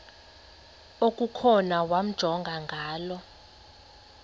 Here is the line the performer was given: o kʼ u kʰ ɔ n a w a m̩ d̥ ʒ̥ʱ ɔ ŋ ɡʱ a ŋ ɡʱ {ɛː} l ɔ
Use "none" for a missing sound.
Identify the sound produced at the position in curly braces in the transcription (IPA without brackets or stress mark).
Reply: aː